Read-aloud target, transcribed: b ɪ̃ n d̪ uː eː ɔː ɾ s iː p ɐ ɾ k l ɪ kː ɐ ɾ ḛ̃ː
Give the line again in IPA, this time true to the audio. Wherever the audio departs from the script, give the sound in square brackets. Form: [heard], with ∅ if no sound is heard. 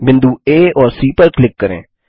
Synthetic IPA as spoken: b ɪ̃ n d̪ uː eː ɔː ɾ s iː p [ə] ɾ k l ɪ kː [ə] ɾ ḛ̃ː